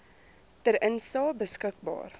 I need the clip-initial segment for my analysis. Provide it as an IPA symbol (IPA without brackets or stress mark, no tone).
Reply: t